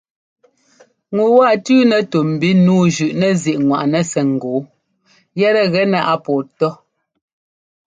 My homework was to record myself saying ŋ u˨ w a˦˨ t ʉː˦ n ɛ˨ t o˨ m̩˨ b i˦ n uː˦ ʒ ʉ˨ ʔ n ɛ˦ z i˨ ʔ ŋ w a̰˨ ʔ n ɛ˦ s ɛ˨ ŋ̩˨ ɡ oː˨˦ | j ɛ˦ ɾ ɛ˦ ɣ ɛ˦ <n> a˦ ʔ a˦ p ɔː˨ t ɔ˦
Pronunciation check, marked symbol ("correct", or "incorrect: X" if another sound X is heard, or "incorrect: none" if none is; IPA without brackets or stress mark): correct